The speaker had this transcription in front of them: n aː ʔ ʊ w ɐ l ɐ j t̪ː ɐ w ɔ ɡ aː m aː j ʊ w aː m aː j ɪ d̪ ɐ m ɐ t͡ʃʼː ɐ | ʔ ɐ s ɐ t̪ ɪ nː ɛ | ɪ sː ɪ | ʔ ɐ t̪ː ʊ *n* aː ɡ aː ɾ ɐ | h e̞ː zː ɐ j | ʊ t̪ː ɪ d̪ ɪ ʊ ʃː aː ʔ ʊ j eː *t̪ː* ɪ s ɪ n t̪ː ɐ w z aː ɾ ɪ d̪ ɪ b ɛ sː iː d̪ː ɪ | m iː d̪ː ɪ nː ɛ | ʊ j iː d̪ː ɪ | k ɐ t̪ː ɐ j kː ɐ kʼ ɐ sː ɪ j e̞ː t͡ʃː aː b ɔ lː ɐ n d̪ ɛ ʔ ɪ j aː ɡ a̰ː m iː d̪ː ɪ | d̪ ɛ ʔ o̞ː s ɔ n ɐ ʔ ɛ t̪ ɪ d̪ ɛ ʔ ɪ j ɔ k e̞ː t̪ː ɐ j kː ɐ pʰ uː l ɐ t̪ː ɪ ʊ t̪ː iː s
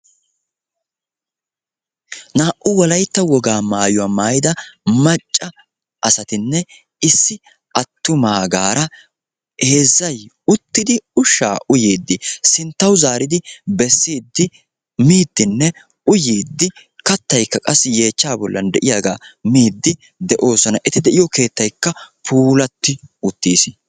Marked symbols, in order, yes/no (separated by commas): no, no